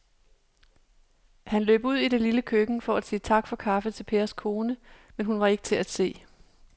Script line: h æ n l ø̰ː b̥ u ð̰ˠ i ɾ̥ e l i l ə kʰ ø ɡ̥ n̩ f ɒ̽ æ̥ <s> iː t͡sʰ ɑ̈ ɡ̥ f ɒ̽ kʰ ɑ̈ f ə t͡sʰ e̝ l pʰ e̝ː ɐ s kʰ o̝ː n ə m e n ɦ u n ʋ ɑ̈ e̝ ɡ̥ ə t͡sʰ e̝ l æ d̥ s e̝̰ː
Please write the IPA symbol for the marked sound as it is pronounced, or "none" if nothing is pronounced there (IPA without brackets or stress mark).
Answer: s